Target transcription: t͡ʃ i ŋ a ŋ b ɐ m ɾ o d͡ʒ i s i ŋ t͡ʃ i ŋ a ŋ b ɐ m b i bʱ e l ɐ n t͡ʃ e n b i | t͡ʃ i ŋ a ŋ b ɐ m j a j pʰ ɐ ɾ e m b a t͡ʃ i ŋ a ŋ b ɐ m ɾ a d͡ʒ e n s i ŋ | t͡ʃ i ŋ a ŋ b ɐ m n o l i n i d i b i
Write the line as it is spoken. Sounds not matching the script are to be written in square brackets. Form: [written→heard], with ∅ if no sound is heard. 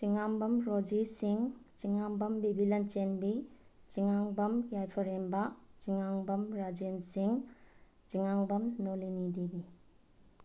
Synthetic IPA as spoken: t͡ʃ i ŋ a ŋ b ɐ m ɾ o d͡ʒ i s i ŋ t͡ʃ i ŋ a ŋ b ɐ m b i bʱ [e→i] l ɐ n t͡ʃ e n b i | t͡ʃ i ŋ a ŋ b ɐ m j a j pʰ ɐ ɾ e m b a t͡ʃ i ŋ a ŋ b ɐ m ɾ a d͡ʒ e n s i ŋ | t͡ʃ i ŋ a ŋ b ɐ m n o l i n i d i b i